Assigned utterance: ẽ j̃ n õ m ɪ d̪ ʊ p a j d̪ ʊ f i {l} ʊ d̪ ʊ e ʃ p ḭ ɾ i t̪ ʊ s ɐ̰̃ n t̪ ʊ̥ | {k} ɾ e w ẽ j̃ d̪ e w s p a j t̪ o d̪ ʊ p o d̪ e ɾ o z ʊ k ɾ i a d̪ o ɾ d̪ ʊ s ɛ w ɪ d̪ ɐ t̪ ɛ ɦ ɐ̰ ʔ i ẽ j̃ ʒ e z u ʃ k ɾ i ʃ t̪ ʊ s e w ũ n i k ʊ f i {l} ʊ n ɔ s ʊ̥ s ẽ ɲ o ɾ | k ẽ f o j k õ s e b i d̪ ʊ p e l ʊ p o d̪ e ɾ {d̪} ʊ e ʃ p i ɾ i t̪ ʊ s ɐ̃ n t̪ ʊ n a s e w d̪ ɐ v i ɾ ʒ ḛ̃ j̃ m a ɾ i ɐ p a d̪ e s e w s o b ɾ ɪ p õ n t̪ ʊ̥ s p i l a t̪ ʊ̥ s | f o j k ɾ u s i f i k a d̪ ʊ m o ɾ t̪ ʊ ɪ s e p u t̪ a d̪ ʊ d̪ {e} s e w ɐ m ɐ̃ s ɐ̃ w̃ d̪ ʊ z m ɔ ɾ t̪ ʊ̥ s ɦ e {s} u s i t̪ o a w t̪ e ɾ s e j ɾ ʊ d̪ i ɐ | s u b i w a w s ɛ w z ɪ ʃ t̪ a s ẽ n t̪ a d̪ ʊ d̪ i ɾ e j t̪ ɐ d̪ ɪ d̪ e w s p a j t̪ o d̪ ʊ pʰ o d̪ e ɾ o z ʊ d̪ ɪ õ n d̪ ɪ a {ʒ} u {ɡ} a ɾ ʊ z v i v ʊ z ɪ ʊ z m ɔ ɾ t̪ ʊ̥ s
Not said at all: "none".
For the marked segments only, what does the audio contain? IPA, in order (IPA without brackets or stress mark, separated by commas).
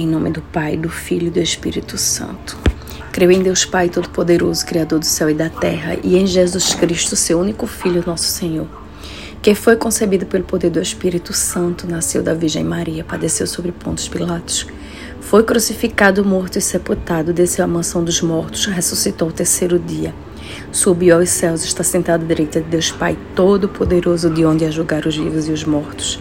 ʎ, k, ʎ, d̪, e, s, ʒ, ɡ